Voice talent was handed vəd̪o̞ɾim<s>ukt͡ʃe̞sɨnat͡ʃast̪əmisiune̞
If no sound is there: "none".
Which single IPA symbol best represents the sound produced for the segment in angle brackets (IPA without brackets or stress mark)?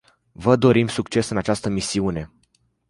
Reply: s